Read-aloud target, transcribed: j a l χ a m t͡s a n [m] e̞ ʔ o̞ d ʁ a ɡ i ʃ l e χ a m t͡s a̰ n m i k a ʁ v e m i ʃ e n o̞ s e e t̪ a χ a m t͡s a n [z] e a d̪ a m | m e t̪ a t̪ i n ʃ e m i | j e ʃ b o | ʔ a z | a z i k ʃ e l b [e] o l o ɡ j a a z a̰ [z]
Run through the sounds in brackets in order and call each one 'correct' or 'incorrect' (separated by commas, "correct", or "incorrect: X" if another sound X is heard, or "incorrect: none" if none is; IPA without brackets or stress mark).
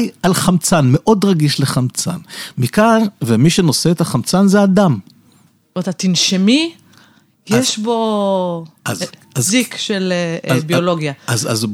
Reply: correct, correct, incorrect: i, correct